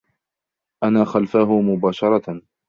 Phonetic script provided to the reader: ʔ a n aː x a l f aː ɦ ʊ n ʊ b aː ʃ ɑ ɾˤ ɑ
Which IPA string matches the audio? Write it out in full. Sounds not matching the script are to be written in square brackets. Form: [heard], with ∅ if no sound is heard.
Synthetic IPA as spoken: ʔ a n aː x a l f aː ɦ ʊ [m] ʊ b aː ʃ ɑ ɾˤ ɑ